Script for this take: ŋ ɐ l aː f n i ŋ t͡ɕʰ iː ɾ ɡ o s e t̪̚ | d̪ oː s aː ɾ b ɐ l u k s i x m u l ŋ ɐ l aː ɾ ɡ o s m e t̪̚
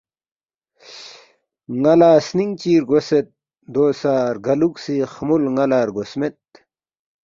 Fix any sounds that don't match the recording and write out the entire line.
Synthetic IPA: ŋ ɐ l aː s n i ŋ t͡ɕ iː ɾ ɡ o s e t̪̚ | d̪ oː s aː ɾ ɡ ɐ l u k s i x m u l ŋ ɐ l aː ɾ ɡ o s m e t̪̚